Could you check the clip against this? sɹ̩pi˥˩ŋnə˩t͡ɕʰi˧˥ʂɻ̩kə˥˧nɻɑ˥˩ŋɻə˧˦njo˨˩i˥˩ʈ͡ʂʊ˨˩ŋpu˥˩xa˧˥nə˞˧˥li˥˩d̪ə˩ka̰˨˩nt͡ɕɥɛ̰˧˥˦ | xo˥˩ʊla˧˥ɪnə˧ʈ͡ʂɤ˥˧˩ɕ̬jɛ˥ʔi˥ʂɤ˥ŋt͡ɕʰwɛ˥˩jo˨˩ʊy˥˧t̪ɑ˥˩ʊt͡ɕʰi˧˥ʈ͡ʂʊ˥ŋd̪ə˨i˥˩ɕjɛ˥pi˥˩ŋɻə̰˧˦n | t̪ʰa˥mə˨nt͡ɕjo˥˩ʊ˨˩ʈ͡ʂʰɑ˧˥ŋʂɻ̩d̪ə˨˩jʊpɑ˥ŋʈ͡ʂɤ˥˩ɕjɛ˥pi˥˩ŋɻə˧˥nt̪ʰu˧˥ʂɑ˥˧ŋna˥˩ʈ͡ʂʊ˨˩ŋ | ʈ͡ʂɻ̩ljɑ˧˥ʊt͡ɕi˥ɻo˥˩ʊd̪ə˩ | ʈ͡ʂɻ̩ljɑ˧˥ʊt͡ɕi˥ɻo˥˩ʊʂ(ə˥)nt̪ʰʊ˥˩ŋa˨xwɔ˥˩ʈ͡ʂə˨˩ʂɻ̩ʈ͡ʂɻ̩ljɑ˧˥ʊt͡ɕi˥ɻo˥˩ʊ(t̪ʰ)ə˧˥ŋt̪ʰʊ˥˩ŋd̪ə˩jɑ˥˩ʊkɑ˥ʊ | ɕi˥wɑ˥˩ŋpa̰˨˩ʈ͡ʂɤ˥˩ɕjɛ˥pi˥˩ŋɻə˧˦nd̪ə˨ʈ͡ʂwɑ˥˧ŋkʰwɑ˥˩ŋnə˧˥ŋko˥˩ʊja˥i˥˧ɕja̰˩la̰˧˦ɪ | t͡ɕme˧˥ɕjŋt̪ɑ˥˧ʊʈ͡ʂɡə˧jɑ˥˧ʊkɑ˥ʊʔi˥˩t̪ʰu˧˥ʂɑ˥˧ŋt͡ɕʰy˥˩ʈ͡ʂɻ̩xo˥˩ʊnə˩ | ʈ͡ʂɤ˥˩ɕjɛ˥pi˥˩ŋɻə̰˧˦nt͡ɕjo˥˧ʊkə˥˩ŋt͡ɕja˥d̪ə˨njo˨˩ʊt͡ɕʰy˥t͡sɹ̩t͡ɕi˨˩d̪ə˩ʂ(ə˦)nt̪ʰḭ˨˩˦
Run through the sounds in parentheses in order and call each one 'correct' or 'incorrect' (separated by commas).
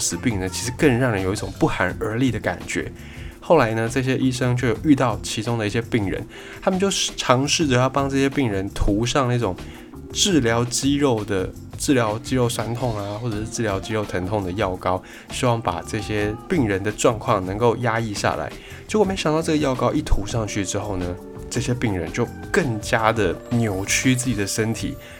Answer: incorrect, correct, correct